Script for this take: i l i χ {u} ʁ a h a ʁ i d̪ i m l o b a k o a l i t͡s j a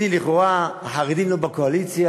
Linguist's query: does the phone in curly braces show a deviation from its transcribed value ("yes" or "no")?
yes